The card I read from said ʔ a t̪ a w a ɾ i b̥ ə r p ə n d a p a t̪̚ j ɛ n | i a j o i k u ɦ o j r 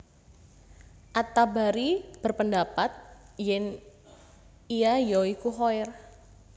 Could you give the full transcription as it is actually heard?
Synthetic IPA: ʔ a t̪ a b a ɾ i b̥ ə r p ə n d a p a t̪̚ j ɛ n | i a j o i k u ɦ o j r